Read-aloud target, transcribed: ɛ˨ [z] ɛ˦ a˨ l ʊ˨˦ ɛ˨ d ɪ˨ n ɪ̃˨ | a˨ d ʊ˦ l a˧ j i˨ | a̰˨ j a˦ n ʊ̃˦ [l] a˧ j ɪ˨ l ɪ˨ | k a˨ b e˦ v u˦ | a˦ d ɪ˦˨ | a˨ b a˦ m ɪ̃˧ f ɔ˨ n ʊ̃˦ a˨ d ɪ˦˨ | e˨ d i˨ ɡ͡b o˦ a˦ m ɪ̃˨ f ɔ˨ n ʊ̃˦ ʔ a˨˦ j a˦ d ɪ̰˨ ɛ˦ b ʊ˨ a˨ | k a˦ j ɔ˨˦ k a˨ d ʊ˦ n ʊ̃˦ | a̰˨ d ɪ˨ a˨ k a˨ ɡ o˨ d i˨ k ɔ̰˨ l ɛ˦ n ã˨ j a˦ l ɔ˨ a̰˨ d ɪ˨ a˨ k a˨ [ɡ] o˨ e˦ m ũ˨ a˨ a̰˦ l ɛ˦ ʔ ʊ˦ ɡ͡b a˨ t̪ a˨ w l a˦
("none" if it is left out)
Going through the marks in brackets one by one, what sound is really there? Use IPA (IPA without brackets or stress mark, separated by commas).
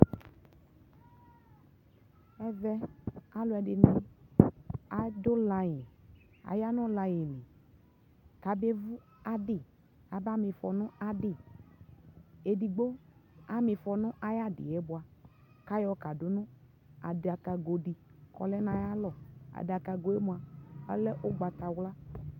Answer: v, l, ɡ